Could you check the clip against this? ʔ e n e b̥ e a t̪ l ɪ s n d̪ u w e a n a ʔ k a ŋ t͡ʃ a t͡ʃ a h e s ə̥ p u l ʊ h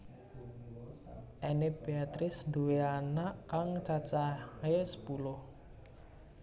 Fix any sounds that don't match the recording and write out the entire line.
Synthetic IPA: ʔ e n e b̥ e a t̪ ɾ ɪ s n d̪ u w e a n a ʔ k a ŋ t͡ʃ a t͡ʃ a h e s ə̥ p u l ʊ h